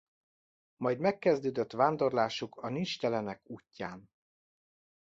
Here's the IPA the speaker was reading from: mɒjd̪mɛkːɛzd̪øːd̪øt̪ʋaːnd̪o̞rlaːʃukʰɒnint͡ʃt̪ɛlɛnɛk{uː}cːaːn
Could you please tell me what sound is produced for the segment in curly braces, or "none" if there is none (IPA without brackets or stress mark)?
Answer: uː